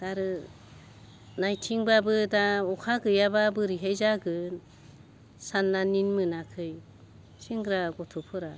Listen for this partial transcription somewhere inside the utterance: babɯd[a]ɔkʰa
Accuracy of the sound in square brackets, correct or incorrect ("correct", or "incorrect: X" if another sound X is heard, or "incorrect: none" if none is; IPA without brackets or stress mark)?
correct